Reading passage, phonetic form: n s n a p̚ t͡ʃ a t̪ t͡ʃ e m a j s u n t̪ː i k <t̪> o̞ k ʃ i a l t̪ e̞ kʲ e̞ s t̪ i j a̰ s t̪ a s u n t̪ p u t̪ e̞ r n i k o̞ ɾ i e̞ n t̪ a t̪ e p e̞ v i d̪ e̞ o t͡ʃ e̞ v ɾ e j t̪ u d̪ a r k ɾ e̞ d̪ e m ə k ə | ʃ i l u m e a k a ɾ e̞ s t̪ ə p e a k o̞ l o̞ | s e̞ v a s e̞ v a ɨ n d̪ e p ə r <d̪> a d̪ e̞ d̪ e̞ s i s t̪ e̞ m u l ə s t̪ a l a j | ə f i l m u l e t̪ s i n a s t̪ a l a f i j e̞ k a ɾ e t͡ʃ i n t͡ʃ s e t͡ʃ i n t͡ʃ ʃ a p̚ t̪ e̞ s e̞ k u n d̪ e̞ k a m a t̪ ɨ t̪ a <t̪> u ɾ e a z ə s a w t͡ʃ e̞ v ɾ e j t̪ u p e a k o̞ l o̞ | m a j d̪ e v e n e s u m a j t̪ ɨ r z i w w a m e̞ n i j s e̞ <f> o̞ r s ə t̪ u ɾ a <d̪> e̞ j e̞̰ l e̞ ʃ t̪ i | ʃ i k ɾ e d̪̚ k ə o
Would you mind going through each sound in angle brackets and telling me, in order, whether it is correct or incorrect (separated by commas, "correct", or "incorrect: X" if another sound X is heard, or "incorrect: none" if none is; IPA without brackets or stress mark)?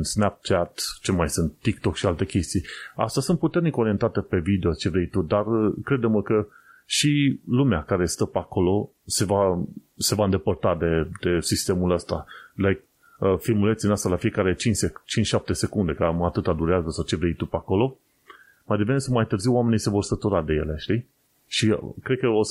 correct, incorrect: t̪, incorrect: d̪, incorrect: v, correct